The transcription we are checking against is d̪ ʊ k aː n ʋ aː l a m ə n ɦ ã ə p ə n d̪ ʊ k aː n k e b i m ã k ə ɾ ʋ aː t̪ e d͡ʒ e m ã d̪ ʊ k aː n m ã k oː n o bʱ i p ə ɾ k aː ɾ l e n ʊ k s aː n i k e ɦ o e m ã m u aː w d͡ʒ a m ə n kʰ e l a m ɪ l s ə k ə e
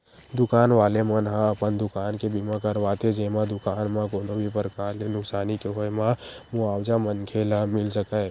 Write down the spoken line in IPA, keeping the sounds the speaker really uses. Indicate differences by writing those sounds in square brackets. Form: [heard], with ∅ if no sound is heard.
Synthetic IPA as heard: d̪ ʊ k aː n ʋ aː l [e] m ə n ɦ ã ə p ə n d̪ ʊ k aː n k e b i m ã k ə ɾ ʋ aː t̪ e d͡ʒ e m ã d̪ ʊ k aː n m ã k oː n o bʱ i p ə ɾ k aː ɾ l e n ʊ k s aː n i k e ɦ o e m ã m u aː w d͡ʒ a m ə n kʰ e l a m ɪ l s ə k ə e